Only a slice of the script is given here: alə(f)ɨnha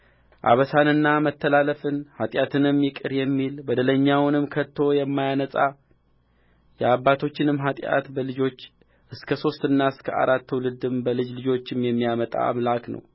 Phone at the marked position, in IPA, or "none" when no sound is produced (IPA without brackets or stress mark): f